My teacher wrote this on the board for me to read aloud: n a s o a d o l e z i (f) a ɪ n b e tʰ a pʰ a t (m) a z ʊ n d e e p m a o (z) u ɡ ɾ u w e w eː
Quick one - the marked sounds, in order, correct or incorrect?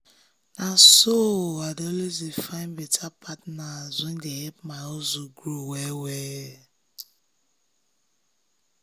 correct, incorrect, correct

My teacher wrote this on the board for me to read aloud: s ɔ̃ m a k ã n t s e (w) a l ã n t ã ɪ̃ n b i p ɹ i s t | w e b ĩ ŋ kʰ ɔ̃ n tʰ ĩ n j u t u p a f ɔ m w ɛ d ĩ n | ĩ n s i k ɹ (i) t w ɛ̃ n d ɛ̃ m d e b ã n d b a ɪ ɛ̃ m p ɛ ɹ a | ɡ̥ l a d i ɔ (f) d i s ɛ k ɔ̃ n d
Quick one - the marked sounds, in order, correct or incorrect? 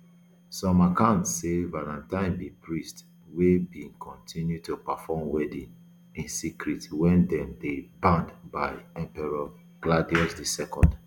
incorrect, correct, incorrect

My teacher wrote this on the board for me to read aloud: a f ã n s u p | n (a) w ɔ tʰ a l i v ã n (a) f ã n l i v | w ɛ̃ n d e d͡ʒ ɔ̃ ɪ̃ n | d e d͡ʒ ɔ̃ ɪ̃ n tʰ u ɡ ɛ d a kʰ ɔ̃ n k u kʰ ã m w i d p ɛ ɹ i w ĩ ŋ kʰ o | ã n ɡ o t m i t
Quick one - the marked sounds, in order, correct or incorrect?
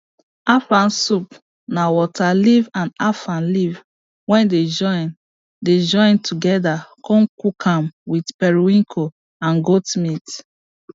correct, correct

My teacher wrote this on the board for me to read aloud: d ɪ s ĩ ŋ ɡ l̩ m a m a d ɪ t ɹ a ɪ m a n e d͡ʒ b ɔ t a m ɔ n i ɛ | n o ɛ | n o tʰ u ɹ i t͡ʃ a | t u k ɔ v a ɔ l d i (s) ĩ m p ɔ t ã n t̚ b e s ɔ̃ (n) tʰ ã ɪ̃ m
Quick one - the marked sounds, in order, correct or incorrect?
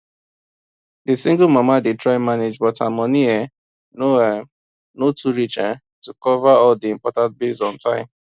incorrect, correct

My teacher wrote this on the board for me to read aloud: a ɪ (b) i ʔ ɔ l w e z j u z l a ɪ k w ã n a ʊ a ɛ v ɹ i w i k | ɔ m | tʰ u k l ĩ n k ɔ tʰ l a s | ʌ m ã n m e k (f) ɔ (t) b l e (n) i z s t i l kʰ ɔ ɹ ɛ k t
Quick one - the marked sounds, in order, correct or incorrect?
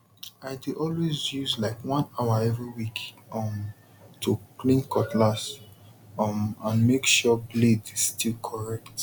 incorrect, incorrect, incorrect, incorrect

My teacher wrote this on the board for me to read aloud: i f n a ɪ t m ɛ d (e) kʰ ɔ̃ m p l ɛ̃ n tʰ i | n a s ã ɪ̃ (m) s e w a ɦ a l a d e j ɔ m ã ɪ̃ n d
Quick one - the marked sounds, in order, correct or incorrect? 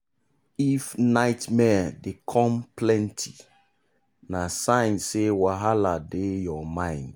correct, incorrect

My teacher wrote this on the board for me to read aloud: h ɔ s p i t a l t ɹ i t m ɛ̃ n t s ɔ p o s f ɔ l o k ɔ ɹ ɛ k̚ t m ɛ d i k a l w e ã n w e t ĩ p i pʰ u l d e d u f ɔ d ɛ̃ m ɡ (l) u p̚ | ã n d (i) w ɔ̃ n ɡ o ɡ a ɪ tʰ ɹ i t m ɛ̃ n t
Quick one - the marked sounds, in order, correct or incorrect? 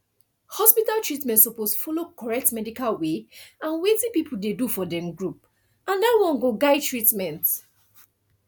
incorrect, incorrect

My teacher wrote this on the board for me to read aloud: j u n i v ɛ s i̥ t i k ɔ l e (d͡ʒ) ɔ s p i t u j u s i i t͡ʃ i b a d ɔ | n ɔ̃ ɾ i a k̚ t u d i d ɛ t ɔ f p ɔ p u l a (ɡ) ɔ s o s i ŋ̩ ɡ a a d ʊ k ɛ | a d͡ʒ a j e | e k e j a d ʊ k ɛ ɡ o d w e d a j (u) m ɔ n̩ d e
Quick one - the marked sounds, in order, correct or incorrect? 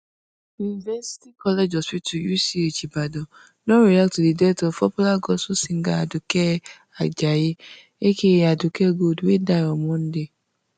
correct, correct, incorrect

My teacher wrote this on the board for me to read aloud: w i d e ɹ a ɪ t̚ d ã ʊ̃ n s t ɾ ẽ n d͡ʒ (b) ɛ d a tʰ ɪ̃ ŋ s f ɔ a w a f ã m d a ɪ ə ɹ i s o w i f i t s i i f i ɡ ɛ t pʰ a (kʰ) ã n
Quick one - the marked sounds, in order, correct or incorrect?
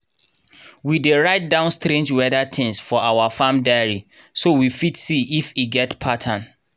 incorrect, incorrect

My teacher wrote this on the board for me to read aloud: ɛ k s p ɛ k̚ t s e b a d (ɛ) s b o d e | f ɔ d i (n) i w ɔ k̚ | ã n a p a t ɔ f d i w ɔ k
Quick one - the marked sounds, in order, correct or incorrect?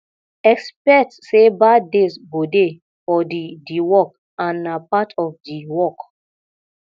incorrect, incorrect

